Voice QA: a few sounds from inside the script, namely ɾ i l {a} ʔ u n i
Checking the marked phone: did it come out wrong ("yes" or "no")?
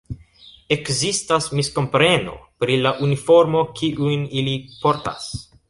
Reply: no